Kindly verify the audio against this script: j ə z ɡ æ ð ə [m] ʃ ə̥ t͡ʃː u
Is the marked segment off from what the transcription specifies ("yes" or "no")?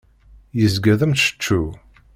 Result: no